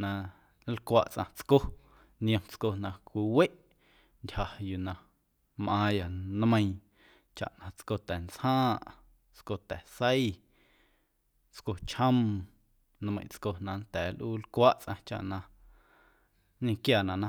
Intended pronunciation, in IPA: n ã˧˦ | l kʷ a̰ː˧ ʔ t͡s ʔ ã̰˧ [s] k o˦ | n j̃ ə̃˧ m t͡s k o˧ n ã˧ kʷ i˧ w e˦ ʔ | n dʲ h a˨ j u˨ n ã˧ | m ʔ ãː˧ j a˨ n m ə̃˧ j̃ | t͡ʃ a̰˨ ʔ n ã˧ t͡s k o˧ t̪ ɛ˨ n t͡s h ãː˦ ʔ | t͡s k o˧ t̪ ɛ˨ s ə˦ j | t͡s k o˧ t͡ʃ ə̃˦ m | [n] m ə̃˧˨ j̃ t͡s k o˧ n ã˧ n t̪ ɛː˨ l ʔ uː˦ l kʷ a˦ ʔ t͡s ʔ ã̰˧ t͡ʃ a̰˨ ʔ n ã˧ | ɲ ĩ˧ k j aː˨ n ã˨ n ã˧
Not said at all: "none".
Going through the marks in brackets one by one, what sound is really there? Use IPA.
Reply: t͡s, n

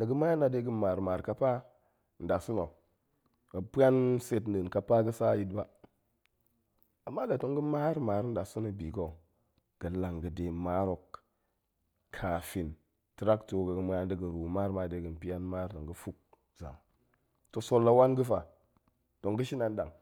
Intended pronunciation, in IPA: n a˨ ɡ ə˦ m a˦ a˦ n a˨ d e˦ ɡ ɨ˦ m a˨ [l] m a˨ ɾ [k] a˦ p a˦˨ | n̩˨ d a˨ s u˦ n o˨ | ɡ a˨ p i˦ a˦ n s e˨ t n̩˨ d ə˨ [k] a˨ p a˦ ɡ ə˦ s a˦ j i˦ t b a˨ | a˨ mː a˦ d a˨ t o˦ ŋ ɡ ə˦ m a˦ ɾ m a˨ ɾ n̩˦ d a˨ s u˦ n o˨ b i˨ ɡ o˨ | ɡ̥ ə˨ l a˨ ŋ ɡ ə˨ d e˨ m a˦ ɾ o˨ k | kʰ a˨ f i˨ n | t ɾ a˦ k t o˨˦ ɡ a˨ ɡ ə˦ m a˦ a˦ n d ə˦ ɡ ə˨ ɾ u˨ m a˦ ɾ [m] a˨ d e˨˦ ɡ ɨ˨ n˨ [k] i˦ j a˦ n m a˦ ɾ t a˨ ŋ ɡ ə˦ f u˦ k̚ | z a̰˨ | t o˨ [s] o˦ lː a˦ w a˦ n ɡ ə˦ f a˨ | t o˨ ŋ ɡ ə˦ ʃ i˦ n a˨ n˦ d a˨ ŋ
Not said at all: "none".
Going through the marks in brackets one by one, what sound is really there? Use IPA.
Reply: ɾ, k, k, m, p, s

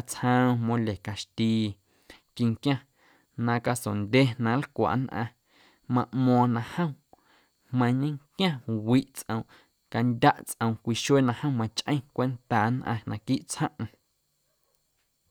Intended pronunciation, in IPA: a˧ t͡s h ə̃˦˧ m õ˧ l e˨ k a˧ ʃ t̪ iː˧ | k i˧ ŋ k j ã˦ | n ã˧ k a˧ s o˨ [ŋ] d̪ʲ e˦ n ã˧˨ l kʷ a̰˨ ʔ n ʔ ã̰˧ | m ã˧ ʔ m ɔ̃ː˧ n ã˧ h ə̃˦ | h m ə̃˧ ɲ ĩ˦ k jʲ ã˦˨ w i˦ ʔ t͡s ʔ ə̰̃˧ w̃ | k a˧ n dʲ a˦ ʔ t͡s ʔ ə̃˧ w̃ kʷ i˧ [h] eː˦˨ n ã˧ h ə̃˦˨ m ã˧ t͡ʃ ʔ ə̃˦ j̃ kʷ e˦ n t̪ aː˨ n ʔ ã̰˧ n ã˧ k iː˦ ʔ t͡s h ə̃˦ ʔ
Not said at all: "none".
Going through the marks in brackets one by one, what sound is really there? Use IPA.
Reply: n, ʃ

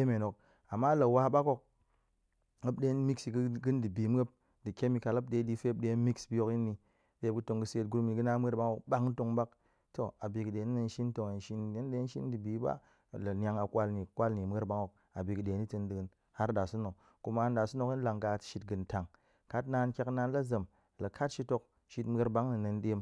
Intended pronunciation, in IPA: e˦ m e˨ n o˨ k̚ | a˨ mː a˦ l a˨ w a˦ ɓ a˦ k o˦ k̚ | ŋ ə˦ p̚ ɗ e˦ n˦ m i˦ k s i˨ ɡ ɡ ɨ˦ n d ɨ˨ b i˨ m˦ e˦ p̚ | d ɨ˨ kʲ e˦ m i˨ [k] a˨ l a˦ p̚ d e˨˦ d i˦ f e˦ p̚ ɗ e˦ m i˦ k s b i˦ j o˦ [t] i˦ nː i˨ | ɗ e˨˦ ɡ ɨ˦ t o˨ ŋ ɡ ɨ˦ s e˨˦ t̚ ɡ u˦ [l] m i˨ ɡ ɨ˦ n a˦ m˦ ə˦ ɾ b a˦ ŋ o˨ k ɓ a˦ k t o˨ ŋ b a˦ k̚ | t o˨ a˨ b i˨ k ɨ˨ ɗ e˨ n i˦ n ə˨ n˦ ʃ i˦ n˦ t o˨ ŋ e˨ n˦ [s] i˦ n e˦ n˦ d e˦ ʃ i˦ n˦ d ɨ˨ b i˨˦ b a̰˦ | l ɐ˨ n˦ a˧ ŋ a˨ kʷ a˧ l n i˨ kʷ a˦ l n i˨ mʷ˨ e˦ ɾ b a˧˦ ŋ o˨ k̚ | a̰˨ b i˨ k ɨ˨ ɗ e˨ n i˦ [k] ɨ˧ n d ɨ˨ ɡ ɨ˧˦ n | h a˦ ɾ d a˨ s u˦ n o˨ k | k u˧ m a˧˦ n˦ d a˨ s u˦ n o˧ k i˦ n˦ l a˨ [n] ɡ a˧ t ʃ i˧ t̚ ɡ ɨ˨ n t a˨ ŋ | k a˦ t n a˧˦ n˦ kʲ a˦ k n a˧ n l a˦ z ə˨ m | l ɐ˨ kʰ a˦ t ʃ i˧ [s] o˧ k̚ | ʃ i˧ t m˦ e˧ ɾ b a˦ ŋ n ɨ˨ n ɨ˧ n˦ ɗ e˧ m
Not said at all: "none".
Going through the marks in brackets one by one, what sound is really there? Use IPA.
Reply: k, k, ɾ, ʃ, t, ŋ, t

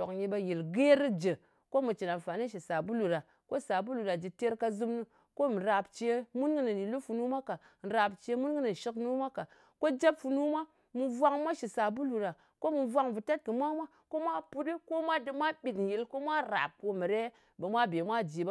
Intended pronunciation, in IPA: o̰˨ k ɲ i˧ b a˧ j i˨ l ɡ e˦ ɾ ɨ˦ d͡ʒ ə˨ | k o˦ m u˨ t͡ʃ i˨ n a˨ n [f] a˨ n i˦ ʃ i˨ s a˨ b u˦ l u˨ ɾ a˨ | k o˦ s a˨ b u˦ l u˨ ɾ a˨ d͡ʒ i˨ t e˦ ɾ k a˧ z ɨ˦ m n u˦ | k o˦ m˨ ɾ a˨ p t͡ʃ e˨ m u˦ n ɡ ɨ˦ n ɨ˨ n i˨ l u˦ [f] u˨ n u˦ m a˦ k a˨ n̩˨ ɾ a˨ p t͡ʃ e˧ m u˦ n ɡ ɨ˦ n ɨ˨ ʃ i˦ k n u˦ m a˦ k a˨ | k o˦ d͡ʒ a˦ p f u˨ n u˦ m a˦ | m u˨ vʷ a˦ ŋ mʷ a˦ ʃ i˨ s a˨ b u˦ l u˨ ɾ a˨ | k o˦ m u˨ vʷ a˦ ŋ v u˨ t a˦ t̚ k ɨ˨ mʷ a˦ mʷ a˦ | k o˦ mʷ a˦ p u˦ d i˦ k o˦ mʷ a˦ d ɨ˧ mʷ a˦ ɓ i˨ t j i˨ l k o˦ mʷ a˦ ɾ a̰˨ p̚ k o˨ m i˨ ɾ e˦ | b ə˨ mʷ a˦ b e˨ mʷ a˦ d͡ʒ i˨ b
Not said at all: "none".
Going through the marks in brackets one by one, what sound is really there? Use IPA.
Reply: f, f

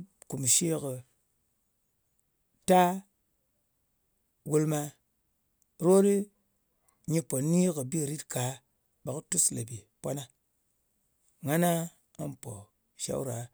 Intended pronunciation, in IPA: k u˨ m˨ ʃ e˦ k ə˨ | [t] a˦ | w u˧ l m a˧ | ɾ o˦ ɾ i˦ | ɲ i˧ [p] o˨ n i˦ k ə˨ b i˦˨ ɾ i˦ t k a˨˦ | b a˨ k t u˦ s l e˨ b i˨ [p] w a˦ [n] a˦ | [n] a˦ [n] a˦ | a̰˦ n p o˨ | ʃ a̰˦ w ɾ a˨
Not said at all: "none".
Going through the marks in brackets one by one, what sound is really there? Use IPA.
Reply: t, p, p, n, ŋ, n

